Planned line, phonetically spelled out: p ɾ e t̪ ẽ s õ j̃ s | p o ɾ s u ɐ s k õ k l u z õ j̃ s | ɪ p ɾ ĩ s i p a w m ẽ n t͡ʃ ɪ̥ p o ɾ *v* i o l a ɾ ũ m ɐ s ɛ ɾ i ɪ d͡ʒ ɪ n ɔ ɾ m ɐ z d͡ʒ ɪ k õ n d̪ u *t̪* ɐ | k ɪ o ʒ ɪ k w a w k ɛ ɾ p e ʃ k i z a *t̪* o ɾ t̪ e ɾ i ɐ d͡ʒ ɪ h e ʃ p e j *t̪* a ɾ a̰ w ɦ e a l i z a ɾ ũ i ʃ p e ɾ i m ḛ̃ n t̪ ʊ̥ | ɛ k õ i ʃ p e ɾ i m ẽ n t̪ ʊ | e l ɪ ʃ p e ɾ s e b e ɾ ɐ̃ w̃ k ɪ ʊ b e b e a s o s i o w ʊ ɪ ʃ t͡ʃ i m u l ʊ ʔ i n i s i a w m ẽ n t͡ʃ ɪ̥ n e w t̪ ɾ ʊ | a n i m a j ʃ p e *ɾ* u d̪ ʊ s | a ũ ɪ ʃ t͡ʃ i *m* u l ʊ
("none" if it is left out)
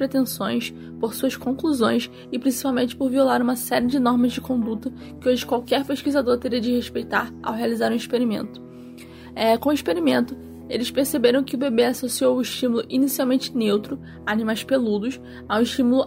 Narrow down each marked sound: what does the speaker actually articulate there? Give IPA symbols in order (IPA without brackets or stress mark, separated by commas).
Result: v, t̪, d̪, t̪, l, m